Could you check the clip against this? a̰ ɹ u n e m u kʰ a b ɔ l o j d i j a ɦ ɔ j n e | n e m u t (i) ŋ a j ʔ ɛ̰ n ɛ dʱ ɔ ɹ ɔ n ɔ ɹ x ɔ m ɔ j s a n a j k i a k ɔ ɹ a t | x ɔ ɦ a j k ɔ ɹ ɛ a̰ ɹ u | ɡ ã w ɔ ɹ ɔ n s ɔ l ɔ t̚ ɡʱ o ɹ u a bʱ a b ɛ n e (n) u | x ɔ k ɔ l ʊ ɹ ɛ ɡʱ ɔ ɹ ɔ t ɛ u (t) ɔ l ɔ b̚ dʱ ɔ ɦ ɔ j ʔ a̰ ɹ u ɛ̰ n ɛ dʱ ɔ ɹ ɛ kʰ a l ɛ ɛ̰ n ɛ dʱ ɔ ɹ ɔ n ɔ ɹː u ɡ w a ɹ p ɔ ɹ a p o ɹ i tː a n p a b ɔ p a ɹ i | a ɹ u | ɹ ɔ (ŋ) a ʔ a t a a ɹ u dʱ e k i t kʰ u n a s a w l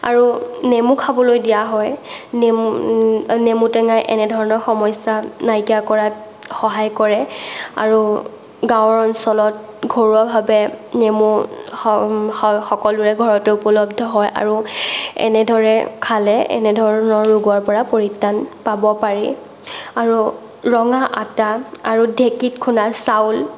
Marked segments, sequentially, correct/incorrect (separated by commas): incorrect, incorrect, incorrect, correct